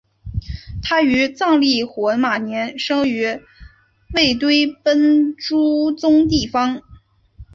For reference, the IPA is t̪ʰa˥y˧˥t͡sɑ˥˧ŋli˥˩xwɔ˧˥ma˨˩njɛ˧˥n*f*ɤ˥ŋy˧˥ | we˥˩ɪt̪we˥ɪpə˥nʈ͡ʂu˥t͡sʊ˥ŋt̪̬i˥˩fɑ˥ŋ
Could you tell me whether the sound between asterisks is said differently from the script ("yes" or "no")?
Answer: yes